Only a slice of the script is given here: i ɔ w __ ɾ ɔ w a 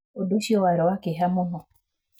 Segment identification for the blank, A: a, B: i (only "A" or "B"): A